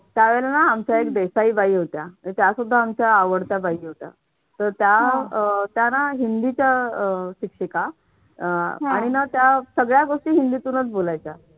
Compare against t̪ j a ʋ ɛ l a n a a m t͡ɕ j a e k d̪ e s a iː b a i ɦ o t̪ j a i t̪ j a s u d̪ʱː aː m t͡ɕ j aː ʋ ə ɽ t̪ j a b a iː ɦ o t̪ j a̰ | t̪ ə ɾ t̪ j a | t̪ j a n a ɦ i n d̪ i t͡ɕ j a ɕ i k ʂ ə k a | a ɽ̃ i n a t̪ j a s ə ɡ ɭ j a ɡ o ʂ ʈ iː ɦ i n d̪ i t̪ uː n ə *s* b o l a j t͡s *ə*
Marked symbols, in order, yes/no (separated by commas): no, no